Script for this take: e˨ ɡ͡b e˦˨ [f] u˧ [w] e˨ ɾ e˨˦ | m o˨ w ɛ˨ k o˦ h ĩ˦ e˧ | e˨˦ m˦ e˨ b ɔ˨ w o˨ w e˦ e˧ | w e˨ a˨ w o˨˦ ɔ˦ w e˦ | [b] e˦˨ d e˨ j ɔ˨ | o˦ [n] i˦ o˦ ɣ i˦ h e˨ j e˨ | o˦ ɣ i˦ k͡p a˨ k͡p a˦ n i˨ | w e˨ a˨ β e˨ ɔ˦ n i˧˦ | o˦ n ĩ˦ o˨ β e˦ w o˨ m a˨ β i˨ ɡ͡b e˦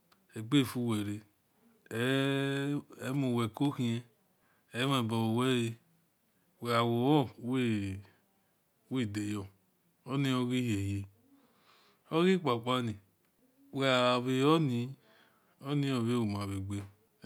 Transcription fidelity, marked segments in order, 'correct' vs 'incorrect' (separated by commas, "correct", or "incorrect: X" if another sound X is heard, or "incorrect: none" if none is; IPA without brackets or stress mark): correct, correct, incorrect: w, correct